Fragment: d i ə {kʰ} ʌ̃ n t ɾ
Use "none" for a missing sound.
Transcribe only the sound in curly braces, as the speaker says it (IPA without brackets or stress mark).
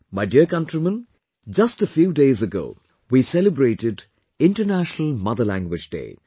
k